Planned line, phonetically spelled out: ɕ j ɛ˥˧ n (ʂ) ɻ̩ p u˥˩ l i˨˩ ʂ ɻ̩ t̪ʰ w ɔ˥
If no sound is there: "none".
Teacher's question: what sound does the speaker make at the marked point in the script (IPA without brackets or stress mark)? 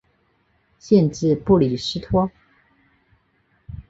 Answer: ʈ͡ʂ